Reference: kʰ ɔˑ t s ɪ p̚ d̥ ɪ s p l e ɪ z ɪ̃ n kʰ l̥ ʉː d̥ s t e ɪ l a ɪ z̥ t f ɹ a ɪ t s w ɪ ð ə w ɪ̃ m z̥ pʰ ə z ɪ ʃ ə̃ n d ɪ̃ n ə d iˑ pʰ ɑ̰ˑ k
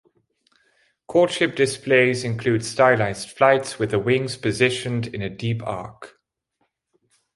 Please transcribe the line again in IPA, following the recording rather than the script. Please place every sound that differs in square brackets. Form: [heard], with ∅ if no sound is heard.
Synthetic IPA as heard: kʰ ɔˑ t [ʃ] ɪ p̚ d̥ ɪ s p l e ɪ z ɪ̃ n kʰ l̥ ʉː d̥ s t [a] ɪ l a ɪ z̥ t f [l] a ɪ t s w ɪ ð ə w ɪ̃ [ŋ] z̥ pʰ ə z ɪ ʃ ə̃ n d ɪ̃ n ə d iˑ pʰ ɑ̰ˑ k